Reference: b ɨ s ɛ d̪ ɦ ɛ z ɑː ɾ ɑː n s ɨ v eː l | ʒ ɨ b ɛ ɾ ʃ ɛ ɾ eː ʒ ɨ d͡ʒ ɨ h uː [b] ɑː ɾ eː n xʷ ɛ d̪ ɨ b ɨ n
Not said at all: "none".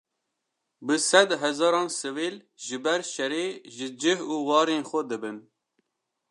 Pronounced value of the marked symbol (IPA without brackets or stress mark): w